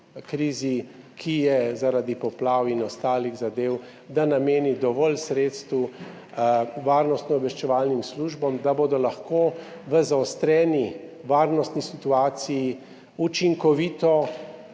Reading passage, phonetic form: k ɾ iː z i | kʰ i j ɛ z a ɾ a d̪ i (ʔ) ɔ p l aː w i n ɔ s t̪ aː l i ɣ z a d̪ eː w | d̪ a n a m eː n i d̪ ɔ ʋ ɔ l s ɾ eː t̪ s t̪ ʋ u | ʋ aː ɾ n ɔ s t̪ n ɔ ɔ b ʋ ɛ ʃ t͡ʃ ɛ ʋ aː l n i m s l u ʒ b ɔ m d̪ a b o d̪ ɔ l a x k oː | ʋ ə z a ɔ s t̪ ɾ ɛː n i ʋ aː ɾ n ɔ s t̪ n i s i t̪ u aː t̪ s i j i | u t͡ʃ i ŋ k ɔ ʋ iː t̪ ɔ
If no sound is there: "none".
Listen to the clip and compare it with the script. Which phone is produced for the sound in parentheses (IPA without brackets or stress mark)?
p